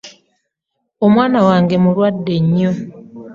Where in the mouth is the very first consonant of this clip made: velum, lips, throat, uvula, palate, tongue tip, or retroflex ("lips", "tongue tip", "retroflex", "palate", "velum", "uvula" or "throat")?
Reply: lips